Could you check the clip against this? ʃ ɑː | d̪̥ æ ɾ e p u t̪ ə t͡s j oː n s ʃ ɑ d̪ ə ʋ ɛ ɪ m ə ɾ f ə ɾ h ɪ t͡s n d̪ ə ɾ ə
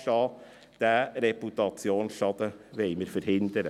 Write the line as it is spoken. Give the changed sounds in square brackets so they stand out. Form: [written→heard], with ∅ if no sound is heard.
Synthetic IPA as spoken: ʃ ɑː | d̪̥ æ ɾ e p u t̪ [ə→ɑ] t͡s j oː n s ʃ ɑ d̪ ə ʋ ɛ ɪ m ə ɾ f ə ɾ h ɪ [t͡s→∅] n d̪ ə ɾ ə